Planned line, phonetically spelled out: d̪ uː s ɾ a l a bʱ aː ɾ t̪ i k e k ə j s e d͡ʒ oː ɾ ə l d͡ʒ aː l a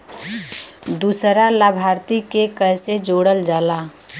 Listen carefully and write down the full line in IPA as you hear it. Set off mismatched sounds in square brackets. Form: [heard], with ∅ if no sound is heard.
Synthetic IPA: d̪ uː s ɾ a l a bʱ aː ɾ t̪ i k e k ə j s e d͡ʒ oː [ɽ] ə l d͡ʒ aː l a